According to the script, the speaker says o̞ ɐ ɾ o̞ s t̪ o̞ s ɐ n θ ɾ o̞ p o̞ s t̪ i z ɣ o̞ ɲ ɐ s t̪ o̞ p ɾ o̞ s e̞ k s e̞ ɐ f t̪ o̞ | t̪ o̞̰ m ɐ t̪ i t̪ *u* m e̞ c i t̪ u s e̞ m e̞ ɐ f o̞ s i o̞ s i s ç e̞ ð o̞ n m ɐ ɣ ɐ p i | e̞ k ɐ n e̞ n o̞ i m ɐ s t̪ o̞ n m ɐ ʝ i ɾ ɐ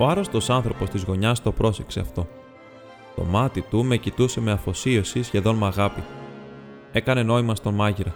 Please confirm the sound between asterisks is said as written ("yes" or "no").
yes